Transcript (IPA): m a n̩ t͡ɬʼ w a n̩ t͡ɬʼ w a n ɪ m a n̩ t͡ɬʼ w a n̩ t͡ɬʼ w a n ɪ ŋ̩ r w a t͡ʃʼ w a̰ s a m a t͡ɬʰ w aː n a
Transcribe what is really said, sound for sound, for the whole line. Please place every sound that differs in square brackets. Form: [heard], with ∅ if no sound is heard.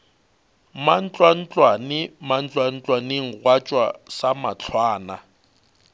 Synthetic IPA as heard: m a n̩ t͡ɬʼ w a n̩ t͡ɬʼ w a n ɪ m a n̩ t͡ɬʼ w a n̩ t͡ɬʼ w a n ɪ ŋ̩ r w a t͡ʃʼ w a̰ s a m a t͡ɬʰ w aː n a